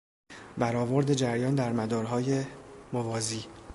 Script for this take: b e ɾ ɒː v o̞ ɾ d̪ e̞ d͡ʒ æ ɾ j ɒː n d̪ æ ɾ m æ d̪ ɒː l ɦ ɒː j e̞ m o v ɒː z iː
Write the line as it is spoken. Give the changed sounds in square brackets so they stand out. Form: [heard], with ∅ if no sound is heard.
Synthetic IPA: b [æ] ɾ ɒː v o̞ ɾ d̪ e̞ d͡ʒ æ ɾ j ɒː n d̪ æ ɾ m æ d̪ ɒː [ɾ] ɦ ɒː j e̞ m o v ɒː z iː